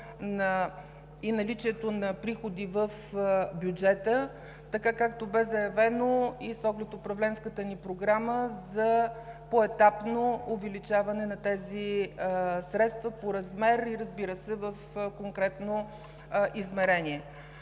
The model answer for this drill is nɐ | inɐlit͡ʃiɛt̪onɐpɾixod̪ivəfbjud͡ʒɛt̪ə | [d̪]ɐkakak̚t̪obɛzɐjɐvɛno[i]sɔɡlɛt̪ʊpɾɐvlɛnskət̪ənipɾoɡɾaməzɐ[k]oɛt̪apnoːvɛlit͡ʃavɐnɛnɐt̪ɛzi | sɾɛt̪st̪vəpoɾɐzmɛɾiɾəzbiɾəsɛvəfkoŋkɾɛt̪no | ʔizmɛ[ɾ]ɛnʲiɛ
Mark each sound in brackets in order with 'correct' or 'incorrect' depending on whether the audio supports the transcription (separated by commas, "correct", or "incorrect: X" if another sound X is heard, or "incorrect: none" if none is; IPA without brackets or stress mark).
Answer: incorrect: t̪, correct, incorrect: p, correct